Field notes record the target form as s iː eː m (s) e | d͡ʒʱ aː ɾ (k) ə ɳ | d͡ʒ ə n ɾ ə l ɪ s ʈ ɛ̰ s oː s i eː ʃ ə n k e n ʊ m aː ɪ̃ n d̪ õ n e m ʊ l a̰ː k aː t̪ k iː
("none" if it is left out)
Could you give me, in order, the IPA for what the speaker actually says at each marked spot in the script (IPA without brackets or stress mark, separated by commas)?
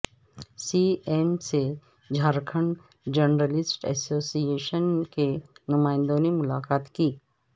s, kʰ